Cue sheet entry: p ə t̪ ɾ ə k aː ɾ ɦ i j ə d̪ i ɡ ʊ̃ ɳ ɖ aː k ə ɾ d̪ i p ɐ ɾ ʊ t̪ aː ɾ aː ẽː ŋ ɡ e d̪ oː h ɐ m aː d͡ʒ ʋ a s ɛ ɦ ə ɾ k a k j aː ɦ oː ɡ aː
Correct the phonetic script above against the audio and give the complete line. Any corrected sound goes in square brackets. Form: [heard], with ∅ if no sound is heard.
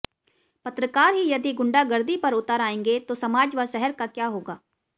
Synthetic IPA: p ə t̪ ɾ ə k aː ɾ ɦ i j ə d̪ i ɡ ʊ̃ ɳ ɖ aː [ɡ] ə ɾ d̪ i p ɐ ɾ ʊ t̪ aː ɾ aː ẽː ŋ ɡ e [t̪] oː [s] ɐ m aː d͡ʒ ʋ a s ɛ ɦ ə ɾ k a k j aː ɦ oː ɡ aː